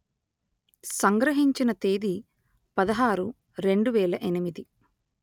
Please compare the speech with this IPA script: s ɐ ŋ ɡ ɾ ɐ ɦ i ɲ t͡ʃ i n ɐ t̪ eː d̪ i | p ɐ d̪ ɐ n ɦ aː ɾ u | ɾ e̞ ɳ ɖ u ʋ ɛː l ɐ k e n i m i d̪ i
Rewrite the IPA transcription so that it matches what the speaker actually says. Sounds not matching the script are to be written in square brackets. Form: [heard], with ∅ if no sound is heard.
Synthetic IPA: s ɐ ŋ ɡ ɾ ɐ ɦ i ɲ t͡ʃ i n ɐ t̪ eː d̪ i | p ɐ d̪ ɐ [∅] ɦ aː ɾ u | ɾ e̞ ɳ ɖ u ʋ ɛː l ɐ [ʔ] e n i m i d̪ i

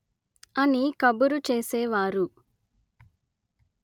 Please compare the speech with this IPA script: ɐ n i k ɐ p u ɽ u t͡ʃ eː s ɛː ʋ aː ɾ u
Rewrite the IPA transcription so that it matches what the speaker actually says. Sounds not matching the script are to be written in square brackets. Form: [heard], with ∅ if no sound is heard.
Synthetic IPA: ɐ n i k ɐ [b] u [ɾ] u t͡ʃ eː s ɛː ʋ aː ɾ u

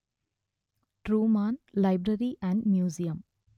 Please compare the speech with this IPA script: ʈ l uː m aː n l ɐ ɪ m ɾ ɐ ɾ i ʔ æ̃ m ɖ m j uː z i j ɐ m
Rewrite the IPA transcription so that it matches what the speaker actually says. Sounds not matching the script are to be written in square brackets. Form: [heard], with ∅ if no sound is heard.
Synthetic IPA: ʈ [ɾ] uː m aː n l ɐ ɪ [b] ɾ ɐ ɾ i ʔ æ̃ [ɳ] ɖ m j uː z i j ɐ m

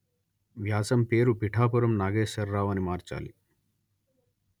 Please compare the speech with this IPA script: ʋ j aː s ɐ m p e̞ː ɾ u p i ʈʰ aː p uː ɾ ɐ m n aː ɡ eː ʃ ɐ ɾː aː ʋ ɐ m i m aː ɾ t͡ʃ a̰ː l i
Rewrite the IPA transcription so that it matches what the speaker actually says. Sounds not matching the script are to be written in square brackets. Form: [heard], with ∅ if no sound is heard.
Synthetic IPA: ʋ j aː s ɐ m p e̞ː ɾ u p i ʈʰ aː p [u] ɾ ɐ m n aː ɡ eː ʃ ɐ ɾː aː ʋ ɐ [n] i m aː ɾ t͡ʃ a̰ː l i

